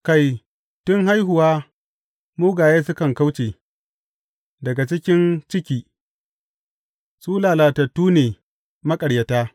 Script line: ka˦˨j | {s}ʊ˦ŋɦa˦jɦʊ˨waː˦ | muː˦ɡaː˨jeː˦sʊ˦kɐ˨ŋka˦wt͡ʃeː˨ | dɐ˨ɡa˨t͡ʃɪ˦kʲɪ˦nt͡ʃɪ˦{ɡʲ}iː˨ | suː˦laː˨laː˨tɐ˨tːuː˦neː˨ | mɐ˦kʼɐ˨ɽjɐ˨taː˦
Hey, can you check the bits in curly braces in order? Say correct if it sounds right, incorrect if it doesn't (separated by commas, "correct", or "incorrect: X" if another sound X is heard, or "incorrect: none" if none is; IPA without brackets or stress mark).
incorrect: t, incorrect: kʲ